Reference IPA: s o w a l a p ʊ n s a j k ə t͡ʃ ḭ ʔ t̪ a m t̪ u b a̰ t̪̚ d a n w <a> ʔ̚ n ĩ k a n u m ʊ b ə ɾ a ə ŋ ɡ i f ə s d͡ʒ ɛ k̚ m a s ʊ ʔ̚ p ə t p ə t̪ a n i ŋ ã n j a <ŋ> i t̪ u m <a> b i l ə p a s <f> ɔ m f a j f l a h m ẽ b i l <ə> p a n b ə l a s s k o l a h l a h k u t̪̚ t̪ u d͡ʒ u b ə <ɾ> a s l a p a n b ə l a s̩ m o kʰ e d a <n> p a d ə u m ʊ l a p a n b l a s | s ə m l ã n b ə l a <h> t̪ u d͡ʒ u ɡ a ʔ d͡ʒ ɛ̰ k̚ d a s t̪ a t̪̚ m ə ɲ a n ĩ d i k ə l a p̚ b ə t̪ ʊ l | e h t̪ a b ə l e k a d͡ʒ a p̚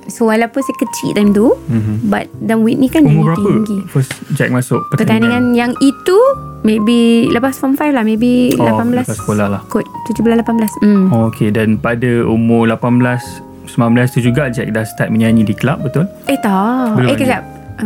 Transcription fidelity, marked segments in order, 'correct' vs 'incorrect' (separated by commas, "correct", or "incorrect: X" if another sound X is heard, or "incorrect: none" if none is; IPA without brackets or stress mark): incorrect: i, correct, incorrect: e, correct, incorrect: a, incorrect: l, correct, incorrect: s